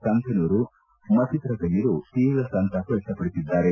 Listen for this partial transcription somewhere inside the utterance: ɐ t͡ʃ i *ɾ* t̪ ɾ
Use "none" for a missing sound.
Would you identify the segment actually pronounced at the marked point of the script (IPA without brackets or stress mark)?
none